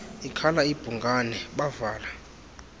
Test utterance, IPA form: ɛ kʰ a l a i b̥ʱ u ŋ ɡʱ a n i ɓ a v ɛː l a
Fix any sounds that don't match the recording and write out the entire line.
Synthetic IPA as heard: i kʰ a l a i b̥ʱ u ŋ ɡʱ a n ɛ ɓ a v aː l a